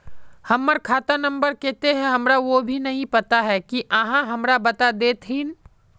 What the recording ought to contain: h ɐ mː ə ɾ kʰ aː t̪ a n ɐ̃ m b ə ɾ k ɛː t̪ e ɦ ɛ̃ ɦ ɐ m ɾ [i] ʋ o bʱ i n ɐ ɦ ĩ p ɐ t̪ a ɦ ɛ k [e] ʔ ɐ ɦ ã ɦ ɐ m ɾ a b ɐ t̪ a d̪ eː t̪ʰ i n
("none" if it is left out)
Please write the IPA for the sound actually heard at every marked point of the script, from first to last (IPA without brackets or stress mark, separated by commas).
a, i